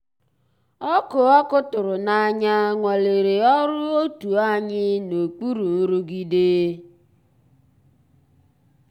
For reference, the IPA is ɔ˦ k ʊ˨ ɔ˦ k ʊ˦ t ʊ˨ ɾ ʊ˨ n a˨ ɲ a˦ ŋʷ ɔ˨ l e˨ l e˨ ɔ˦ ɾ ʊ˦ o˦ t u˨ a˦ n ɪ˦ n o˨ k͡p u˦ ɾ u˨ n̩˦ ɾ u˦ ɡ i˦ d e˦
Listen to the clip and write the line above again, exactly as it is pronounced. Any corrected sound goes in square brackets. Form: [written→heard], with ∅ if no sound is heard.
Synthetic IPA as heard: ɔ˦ k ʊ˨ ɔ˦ k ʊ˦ t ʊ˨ ɾ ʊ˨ n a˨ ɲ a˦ ŋʷ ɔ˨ l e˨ [l→ɾ] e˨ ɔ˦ ɾ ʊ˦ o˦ t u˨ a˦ [n→ɲ] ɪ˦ n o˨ k͡p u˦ ɾ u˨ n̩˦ ɾ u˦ ɡ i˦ d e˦